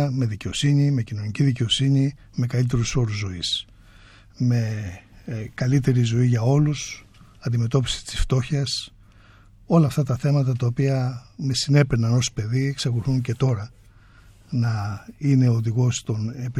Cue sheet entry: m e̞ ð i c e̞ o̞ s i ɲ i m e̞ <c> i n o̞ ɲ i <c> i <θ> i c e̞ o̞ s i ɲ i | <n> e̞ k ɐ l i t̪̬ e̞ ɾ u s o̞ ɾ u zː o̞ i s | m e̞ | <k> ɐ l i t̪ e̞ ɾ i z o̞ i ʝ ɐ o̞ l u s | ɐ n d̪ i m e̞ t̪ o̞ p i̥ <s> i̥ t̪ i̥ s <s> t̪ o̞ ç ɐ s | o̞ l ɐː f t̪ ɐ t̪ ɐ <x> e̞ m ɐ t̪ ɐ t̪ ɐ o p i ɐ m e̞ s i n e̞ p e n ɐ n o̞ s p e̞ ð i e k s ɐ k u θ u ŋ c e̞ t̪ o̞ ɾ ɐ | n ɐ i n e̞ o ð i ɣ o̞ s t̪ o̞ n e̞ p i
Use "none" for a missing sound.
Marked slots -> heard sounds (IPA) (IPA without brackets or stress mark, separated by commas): c, c, ð, m, k, s, f, θ